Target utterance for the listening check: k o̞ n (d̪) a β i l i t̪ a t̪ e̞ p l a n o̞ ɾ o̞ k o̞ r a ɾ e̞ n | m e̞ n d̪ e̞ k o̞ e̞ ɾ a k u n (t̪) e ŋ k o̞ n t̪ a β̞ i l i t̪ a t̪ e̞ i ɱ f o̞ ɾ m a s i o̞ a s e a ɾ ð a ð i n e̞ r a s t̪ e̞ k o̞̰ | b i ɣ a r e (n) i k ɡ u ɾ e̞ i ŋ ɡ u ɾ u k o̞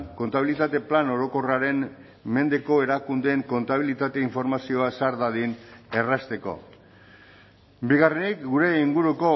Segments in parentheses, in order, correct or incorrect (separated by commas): incorrect, incorrect, correct